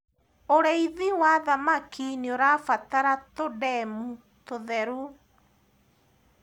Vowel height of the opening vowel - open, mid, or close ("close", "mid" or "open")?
mid